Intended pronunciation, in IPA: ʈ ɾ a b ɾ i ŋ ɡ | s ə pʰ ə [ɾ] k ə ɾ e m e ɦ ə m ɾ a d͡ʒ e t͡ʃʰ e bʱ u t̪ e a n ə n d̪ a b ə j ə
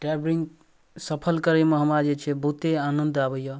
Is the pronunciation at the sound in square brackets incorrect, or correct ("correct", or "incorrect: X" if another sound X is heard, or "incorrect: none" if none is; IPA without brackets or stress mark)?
incorrect: l